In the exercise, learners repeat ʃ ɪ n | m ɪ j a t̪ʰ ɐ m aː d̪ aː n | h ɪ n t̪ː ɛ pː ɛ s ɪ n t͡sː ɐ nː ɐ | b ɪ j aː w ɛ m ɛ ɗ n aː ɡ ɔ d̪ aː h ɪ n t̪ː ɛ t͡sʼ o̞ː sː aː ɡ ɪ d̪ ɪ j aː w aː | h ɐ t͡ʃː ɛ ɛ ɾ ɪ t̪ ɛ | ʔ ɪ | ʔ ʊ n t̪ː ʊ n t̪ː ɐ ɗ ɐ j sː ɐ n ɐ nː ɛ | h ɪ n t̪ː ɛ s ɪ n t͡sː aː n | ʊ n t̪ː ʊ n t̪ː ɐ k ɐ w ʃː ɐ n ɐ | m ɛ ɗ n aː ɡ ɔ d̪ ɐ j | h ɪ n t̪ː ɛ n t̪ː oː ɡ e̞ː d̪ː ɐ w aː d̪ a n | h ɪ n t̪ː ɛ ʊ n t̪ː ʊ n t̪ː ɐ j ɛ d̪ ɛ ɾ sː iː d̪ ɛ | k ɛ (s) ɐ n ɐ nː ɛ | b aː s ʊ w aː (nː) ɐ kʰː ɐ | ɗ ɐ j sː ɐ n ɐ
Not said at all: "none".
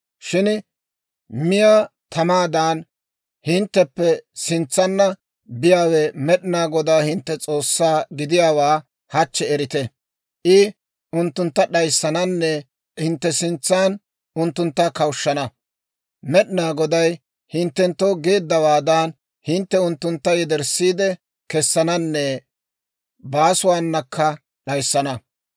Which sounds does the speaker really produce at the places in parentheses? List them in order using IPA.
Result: sː, nː

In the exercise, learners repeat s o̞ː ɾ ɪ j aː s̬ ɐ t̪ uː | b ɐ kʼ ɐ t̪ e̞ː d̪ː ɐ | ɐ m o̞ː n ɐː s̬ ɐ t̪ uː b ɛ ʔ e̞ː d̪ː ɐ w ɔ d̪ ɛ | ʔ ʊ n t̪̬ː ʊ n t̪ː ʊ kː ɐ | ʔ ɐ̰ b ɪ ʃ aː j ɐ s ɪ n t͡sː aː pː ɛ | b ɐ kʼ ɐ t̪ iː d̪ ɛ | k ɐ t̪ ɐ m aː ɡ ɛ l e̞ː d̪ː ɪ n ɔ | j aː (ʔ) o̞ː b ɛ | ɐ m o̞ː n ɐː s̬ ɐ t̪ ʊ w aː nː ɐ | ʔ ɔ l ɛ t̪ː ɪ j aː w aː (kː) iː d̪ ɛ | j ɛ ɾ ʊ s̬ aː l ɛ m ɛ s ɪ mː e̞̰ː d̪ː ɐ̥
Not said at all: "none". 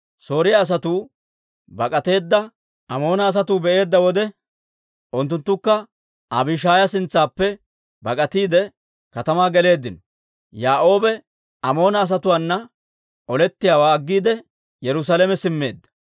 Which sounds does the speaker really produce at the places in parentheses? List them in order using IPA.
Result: ʔ, ɡː

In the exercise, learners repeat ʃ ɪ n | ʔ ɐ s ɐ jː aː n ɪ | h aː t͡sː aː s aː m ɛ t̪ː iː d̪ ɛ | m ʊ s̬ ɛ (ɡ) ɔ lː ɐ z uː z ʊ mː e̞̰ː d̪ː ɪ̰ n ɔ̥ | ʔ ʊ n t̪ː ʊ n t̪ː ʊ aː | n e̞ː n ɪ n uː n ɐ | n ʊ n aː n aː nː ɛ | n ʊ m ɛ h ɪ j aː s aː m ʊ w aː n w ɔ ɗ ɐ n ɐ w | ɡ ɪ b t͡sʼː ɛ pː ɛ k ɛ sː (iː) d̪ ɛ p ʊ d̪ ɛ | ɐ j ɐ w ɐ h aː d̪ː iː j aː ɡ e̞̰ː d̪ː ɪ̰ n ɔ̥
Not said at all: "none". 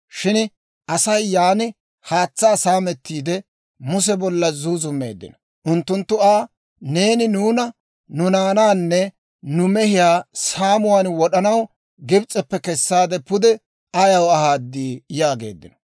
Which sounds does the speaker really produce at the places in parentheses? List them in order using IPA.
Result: b, aː

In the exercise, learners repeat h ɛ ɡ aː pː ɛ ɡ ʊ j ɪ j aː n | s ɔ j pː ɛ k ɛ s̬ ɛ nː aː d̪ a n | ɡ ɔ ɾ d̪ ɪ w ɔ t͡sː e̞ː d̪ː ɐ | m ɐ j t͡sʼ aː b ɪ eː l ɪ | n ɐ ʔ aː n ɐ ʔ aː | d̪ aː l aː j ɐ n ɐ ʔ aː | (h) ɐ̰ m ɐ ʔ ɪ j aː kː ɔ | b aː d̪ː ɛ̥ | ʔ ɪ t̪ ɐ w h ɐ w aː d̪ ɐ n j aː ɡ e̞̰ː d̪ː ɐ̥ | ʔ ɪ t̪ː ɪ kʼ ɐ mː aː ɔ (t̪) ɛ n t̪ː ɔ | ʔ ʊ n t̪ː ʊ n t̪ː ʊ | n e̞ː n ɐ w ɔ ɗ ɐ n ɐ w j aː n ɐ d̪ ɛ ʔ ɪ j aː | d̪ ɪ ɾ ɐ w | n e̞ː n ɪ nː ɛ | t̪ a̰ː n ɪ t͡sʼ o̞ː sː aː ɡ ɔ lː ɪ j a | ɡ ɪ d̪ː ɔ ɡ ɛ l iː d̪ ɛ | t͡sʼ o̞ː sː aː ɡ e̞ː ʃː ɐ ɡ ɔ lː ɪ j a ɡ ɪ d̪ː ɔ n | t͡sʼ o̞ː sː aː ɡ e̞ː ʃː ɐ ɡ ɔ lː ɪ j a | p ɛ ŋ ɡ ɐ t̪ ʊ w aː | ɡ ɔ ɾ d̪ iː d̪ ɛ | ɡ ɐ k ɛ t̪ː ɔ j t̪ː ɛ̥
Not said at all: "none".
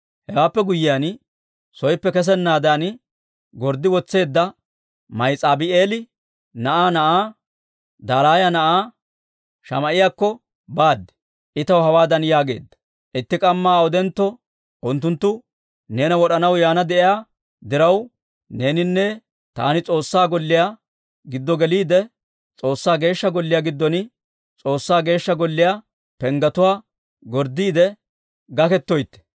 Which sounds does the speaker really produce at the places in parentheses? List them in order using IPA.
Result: ʃ, d̪

